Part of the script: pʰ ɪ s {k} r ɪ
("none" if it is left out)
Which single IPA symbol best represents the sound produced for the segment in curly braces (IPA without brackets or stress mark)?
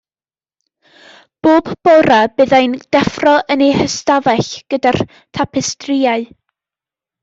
t